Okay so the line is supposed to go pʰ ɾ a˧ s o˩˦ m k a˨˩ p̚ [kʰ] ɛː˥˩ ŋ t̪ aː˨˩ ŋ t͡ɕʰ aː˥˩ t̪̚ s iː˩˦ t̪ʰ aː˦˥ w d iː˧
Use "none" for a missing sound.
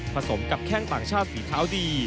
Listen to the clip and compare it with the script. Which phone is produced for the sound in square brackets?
kʰ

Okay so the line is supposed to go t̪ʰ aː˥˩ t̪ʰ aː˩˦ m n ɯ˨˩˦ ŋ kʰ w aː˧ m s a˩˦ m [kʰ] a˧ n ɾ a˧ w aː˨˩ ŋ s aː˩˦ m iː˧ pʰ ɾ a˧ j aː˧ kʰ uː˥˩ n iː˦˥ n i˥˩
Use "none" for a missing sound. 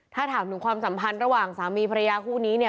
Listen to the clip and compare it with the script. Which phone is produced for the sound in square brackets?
pʰ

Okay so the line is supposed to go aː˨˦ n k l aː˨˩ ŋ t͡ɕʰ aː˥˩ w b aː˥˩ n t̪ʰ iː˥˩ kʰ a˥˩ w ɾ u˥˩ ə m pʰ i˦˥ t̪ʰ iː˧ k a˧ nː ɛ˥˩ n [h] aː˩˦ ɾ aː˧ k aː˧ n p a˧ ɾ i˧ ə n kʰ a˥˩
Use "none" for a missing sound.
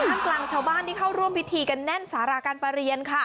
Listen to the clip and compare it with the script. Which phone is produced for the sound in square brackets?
s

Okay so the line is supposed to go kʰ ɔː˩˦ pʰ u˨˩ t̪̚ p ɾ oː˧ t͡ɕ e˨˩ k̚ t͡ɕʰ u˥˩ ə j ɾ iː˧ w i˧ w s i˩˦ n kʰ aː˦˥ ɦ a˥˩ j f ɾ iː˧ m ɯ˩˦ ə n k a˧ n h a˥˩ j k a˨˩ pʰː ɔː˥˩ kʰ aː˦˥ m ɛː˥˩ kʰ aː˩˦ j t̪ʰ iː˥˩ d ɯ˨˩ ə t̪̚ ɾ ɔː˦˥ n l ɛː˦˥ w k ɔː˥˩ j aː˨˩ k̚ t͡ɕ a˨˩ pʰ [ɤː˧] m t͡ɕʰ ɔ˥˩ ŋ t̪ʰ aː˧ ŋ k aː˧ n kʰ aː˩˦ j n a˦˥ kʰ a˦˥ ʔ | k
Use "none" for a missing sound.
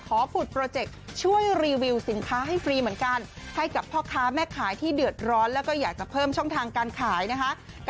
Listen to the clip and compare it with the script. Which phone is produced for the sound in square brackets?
ɤː˥˩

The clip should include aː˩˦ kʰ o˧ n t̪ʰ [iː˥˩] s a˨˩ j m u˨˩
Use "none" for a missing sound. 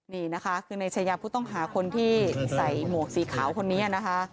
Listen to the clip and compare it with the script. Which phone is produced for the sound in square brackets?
iː˥˩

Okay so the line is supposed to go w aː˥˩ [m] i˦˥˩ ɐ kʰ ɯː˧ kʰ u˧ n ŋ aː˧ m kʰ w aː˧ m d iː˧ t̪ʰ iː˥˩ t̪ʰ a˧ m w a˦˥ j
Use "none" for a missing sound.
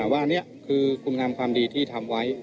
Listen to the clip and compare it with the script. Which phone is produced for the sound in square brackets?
n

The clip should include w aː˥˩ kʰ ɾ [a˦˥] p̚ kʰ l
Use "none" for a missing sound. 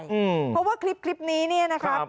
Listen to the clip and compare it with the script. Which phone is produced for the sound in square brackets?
i˦˥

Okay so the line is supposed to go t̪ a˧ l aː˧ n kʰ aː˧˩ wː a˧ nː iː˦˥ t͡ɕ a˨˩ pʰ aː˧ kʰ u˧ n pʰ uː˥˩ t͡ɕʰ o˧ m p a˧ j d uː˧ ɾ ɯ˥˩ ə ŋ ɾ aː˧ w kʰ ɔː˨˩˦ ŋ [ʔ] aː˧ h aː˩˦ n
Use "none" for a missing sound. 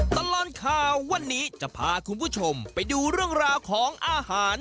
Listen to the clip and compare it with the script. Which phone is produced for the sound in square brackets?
ʔ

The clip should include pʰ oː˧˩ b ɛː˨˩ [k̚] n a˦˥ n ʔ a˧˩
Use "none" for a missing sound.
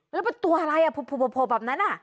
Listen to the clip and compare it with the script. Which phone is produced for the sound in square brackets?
p̚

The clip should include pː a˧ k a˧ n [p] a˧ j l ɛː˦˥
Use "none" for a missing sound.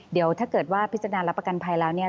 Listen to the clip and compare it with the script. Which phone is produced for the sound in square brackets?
pʰ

